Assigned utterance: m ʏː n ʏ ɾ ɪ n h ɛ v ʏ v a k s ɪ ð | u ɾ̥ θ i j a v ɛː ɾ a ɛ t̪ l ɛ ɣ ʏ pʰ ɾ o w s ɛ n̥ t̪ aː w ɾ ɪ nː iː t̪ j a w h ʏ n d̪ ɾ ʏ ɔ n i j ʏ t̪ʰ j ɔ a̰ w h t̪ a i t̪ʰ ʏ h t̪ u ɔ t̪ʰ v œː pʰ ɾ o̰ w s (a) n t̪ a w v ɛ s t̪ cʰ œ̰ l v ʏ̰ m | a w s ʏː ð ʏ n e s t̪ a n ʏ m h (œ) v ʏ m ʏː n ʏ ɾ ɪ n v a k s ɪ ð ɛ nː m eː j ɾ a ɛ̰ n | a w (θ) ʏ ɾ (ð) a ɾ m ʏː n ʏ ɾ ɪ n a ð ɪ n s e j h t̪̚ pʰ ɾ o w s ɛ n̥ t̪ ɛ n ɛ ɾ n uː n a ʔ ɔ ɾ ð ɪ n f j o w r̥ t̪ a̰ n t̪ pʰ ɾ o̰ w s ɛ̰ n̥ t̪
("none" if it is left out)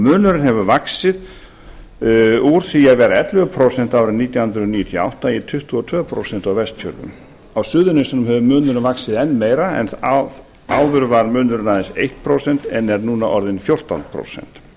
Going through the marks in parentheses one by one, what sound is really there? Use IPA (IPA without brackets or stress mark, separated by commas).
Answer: ɛ, ɛ, ð, v